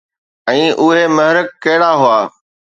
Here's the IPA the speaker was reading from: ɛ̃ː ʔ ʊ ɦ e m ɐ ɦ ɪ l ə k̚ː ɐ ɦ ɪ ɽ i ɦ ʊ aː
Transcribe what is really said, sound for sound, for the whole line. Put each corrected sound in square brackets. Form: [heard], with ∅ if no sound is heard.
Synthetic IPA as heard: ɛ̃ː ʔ ʊ ɦ e m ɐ ɦ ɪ [ɾ] ə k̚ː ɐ ɦ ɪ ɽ [a] ɦ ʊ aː